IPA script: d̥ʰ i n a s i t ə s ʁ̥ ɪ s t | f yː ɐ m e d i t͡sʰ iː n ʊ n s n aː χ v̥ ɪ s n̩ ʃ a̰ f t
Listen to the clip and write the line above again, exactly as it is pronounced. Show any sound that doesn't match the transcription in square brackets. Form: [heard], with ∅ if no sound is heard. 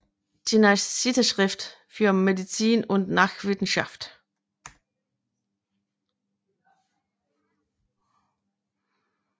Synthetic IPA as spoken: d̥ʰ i n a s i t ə [ʃ] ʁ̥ ɪ [f] t | f yː ɐ m e d i [t͡s] iː n ʊ n [t] n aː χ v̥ ɪ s n̩ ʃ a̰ f t